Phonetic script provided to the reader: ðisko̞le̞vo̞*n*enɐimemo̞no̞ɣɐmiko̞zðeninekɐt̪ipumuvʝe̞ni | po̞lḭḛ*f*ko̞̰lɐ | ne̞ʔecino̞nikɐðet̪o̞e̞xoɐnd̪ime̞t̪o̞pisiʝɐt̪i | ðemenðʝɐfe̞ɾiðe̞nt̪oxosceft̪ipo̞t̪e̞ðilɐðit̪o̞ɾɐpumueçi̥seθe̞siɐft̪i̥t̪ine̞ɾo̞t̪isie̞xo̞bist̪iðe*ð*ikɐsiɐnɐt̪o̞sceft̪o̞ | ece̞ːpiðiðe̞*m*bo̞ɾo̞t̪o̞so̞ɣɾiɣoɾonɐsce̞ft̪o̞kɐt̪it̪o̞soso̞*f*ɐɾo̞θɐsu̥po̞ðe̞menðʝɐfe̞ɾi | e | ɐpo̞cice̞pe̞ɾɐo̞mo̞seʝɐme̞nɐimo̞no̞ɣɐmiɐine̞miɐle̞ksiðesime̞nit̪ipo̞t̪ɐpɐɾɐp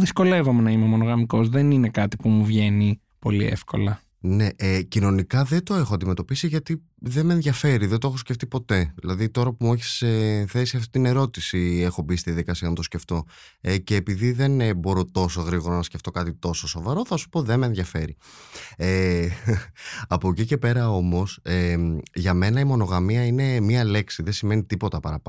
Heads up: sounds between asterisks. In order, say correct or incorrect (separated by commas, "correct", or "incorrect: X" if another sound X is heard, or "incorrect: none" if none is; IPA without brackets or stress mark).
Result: incorrect: m, correct, correct, incorrect: n, incorrect: v